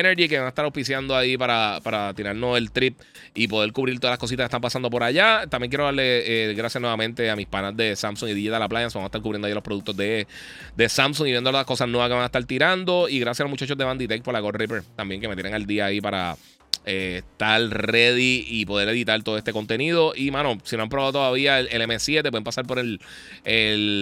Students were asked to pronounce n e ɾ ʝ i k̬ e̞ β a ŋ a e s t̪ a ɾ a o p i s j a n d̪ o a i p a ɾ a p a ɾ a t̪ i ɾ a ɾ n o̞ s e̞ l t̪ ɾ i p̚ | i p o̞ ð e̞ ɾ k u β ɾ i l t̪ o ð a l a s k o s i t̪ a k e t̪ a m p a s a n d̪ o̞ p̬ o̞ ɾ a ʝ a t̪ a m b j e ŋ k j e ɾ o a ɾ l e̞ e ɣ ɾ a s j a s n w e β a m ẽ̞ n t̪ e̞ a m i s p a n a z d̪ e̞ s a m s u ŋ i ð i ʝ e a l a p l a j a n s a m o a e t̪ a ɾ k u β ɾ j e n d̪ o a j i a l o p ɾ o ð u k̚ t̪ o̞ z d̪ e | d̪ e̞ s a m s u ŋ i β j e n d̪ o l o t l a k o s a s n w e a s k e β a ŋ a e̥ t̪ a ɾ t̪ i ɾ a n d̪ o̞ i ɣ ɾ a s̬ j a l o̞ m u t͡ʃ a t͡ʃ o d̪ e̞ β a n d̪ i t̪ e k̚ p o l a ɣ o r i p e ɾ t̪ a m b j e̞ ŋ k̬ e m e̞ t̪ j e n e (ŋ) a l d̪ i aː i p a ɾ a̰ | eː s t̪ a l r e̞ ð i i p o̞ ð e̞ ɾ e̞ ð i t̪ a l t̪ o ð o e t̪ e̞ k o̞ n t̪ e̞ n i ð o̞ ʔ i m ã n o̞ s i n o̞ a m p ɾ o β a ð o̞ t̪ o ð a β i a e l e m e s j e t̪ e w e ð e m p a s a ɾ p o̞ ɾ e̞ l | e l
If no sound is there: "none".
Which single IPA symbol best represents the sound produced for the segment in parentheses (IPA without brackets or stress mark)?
ŋ